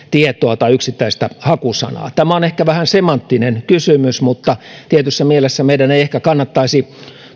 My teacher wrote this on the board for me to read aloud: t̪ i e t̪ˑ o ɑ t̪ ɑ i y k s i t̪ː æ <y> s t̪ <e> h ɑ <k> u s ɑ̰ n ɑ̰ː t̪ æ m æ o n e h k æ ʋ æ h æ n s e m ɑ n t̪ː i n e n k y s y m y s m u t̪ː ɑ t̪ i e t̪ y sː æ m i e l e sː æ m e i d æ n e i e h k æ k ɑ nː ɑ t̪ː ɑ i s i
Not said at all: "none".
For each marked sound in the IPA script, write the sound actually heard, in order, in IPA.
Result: i, æ, k

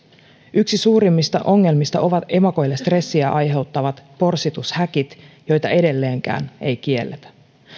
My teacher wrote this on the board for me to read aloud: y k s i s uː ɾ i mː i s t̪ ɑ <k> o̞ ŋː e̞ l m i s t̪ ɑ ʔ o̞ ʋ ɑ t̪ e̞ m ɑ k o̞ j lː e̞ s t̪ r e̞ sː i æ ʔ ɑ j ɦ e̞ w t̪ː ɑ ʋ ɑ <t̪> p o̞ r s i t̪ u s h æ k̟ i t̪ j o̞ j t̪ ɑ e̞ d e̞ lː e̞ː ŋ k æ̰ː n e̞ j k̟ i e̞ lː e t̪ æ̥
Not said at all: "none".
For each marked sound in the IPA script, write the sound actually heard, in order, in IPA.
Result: ʔ, t̪

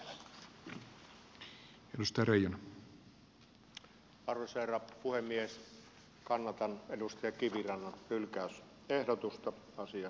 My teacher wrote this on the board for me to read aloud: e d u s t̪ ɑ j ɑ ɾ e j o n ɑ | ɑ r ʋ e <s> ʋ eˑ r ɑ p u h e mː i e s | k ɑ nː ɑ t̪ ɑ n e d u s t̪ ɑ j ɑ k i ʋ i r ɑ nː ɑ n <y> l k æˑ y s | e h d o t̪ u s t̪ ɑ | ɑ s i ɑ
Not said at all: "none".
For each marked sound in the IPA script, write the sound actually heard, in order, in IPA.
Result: s, y

